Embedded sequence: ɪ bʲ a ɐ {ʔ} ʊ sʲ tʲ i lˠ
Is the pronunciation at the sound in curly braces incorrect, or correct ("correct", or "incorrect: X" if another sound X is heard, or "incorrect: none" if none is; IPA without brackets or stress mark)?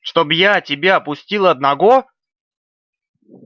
incorrect: p